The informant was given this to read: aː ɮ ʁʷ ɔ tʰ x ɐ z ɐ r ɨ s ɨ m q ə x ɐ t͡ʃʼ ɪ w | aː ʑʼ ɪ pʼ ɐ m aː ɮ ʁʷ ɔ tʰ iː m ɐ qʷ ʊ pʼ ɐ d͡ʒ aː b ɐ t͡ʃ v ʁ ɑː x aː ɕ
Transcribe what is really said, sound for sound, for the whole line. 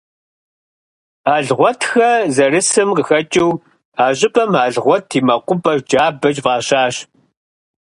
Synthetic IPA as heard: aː ɮ ʁʷ ɔ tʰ x ɐ z ɐ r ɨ s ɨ m q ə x ɐ t͡ʃʼ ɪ w | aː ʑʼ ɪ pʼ ɐ m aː ɮ ʁʷ ɔ tʰ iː m ɐ qʷ ʊ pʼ ɐ d͡ʒ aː b ɐ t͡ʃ v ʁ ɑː ɕ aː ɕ